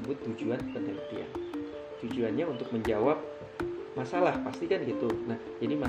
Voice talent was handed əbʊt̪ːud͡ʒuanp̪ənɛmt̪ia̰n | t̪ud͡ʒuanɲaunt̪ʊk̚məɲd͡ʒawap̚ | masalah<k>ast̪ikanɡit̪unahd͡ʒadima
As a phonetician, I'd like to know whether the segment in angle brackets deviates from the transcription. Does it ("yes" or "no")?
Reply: yes